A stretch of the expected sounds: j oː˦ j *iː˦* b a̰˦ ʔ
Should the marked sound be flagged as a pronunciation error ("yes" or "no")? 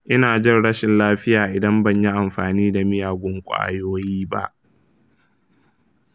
no